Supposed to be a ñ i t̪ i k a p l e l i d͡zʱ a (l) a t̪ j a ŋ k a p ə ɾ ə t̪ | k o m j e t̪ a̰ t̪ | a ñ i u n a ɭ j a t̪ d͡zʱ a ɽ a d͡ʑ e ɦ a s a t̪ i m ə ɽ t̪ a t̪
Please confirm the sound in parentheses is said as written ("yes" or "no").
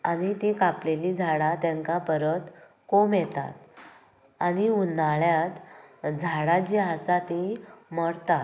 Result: no